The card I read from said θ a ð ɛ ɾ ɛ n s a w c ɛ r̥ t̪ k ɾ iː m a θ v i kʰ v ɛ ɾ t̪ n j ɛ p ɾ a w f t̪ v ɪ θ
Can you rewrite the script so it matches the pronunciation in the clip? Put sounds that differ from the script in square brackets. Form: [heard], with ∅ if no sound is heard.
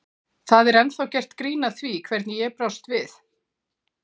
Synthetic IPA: θ a ð ɛ ɾ ɛ n [θ] a w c ɛ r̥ t̪ k ɾ iː [n] a θ v i kʰ v ɛ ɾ t̪ n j ɛ p ɾ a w [s] t̪ v ɪ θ